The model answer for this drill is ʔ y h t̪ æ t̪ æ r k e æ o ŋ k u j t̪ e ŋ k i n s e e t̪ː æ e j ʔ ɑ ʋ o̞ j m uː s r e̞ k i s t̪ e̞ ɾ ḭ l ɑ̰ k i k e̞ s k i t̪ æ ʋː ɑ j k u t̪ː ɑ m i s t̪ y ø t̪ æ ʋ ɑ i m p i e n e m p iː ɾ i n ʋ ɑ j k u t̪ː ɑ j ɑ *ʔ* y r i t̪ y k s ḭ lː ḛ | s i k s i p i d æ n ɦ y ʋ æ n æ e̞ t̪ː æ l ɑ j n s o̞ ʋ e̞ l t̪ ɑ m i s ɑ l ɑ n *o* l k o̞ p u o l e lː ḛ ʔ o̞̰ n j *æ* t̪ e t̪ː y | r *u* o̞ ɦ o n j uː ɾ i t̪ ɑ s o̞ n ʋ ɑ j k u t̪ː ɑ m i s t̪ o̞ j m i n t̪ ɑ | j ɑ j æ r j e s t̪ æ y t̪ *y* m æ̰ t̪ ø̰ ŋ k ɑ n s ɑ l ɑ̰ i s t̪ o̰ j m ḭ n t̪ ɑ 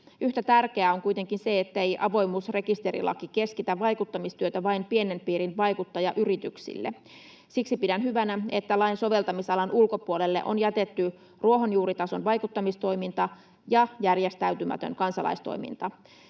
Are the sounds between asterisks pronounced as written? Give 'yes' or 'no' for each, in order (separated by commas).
yes, no, yes, yes, yes